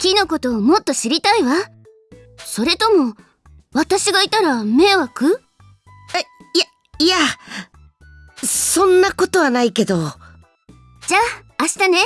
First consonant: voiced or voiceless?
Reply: voiceless